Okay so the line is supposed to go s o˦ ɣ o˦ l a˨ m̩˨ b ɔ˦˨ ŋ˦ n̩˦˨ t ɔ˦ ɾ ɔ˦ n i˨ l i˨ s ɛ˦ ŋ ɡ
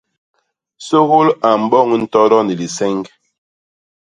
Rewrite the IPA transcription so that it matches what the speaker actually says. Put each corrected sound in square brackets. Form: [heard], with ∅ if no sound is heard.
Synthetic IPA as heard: s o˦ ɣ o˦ l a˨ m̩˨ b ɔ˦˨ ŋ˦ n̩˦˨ t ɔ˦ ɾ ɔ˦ n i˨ l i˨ s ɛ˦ ŋ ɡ